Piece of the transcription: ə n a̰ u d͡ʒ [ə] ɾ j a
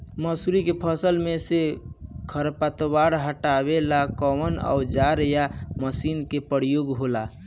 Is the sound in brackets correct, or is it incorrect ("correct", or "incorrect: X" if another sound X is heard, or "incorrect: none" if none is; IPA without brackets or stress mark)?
incorrect: a